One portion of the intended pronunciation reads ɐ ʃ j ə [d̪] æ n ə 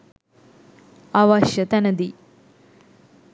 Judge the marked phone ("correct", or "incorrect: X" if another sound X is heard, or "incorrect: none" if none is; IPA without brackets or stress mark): incorrect: t̪